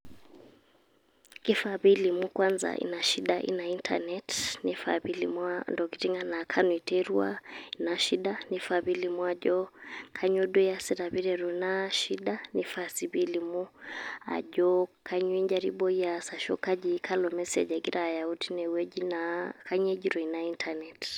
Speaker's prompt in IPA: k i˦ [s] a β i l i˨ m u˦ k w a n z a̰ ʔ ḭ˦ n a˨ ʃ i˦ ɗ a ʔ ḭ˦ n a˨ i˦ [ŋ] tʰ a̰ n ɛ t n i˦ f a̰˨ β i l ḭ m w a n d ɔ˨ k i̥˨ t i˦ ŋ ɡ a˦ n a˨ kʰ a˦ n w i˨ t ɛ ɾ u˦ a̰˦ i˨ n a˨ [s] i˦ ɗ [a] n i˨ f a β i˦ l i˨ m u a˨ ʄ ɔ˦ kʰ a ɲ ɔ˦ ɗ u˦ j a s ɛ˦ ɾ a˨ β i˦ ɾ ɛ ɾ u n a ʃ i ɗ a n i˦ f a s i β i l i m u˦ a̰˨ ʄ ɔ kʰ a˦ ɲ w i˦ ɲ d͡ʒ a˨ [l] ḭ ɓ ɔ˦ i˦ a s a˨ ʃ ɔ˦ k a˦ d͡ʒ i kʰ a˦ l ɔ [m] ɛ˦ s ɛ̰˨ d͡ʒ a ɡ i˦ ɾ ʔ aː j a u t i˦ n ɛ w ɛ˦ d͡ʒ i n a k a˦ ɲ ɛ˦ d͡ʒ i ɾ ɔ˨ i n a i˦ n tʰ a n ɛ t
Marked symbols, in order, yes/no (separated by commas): no, no, no, yes, no, yes